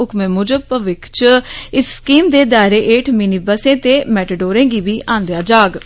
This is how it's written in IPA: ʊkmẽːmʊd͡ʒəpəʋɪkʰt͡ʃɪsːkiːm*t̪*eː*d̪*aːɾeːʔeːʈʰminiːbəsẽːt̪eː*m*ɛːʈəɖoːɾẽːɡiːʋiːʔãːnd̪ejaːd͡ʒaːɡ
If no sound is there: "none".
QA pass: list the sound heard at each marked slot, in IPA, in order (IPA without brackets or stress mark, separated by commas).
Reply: d̪, d̪, m